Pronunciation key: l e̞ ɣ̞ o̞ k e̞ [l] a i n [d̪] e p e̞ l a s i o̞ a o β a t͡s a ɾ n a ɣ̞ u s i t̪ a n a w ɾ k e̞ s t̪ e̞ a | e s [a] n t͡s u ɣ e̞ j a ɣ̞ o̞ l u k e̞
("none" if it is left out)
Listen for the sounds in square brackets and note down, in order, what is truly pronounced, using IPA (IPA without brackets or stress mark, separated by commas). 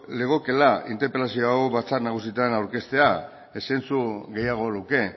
l, t̪, e